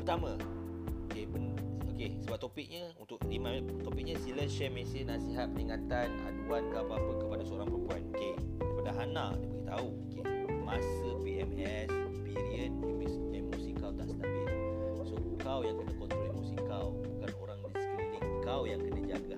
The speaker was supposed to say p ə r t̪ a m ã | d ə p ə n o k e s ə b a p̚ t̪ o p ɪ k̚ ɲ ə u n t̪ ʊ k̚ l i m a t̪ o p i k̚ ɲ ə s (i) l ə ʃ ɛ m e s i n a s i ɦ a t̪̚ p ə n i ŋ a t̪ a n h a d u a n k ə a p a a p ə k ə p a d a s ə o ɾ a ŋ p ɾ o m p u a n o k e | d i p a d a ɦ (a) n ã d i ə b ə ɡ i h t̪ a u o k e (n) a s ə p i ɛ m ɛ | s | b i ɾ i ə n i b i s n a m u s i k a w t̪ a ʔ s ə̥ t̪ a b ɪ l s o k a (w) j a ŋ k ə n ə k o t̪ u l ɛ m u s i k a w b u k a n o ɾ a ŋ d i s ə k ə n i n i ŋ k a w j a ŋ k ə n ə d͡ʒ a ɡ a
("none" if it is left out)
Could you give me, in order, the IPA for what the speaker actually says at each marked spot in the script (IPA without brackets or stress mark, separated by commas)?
i, a, m, w